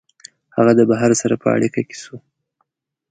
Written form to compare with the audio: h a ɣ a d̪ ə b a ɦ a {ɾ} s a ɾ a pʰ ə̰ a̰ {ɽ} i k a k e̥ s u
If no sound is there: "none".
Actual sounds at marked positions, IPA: ɾ, ɽ

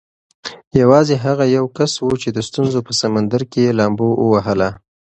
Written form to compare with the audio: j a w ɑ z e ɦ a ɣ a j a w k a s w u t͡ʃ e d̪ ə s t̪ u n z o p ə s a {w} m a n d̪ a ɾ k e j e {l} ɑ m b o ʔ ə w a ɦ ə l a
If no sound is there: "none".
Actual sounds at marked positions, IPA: none, l

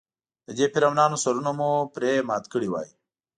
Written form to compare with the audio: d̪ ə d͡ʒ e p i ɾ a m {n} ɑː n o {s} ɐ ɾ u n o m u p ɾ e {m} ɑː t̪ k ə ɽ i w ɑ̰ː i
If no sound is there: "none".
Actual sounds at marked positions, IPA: n, s, m

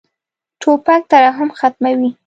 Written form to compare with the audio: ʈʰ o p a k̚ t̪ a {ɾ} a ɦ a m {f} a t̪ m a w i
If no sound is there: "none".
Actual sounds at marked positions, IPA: ɾ, x

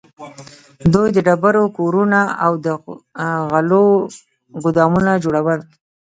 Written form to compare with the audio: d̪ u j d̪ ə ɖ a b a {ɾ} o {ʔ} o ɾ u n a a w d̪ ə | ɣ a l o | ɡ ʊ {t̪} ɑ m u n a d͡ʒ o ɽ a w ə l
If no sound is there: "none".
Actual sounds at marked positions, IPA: ɾ, k, d̪

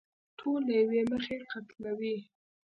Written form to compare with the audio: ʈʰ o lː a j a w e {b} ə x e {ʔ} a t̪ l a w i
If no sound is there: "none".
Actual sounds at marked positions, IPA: m, q

